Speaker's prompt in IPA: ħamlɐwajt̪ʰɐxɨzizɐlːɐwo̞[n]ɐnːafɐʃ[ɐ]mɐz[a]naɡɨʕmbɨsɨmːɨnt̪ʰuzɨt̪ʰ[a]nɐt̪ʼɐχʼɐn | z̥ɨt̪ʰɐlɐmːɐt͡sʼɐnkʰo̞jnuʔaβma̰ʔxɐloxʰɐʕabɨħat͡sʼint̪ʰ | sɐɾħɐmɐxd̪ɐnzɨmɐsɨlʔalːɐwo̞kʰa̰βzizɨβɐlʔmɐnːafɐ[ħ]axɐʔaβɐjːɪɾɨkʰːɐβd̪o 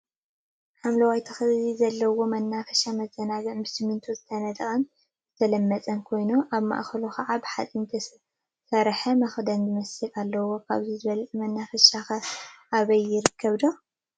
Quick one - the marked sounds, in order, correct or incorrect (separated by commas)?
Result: incorrect, incorrect, incorrect, incorrect, incorrect